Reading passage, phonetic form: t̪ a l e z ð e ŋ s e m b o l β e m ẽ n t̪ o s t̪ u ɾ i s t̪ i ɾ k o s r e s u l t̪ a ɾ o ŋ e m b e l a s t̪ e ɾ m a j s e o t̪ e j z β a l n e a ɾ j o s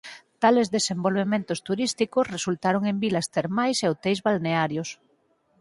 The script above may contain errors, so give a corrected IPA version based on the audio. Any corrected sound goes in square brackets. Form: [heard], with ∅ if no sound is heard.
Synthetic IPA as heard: t̪ a l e z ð e [∅] s e m b o l β e m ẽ n t̪ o s t̪ u ɾ i s t̪ i [∅] k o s r e s u l t̪ a ɾ o ŋ e m b [i] l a s t̪ e ɾ m a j s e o t̪ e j z β a l n e a ɾ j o s

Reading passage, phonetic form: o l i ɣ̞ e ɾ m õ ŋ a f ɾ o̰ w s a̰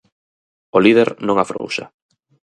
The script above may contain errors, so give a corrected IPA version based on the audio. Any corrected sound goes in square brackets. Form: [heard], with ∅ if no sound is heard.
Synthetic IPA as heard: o l i [ð̞] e ɾ [n] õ ŋ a f ɾ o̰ w [ʃ] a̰

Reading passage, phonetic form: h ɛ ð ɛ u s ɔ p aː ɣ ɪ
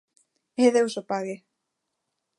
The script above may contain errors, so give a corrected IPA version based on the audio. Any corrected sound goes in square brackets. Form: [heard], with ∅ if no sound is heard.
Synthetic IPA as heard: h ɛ ð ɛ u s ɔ p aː ɣ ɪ

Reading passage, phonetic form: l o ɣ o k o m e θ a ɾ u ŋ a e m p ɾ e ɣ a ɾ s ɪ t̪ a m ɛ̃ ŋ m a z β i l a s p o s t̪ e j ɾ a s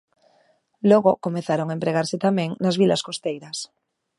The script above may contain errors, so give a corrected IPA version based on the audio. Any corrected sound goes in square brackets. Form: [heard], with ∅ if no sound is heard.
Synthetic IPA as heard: l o ɣ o k o m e θ a ɾ [o] ŋ a e m p ɾ e ɣ a ɾ s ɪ t̪ a m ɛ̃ ŋ [n] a z β i l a s [k] o s t̪ e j ɾ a s

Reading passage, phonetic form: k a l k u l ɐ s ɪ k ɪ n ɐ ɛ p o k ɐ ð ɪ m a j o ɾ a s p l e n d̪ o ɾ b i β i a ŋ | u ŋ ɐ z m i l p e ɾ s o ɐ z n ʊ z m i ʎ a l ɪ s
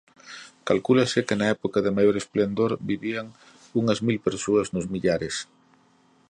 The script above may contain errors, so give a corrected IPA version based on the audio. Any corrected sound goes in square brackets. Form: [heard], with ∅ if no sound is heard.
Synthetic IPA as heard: k a l k u l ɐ s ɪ k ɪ n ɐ ɛ p o k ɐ ð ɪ m a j o ɾ [e] s p l e n d̪ o ɾ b i β i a ŋ | u ŋ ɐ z m i l p e ɾ s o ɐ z n ʊ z m i ʎ a [ɾ] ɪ s

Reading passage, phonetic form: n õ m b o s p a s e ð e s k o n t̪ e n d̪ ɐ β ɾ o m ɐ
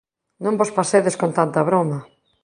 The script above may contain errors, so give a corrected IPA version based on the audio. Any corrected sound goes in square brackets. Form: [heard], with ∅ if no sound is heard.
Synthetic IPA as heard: n õ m b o s p a s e ð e s k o n t̪ [a] n [t̪] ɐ β ɾ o m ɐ

